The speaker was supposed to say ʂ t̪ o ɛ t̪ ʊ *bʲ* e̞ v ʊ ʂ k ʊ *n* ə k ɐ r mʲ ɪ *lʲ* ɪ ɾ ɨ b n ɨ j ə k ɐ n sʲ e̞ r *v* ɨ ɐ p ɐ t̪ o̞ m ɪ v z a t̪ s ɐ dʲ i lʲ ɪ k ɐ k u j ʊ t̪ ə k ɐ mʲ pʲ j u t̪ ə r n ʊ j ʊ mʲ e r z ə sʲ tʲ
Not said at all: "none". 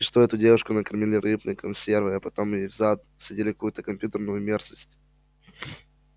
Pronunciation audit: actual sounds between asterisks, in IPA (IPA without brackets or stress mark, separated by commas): dʲ, n, lʲ, v